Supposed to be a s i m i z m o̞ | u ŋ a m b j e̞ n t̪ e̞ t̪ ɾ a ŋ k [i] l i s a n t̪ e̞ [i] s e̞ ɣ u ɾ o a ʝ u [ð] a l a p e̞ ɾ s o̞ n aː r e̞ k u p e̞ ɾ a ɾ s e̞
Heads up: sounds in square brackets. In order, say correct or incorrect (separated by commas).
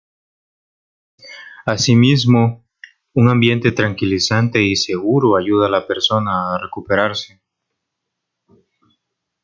correct, correct, correct